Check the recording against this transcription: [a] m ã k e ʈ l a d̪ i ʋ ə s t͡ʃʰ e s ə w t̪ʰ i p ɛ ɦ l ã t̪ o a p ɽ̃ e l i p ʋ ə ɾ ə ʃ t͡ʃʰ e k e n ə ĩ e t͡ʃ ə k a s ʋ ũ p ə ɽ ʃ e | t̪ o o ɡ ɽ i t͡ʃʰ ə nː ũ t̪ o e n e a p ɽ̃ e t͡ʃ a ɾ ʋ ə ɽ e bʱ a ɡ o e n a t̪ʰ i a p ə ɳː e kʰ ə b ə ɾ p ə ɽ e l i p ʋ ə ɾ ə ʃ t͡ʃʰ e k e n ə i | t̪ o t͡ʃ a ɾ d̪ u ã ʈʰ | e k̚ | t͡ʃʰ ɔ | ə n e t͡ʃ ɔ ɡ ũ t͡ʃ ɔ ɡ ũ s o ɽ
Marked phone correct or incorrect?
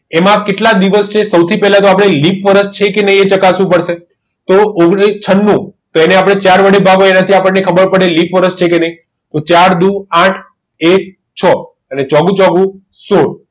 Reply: incorrect